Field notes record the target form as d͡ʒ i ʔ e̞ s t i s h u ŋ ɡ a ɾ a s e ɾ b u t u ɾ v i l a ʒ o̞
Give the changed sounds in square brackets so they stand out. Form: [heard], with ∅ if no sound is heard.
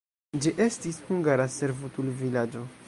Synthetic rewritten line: d͡ʒ i ʔ e̞ s t i s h u ŋ ɡ a ɾ a s e ɾ [v] u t u [l] v i l a [d͡ʒ] o̞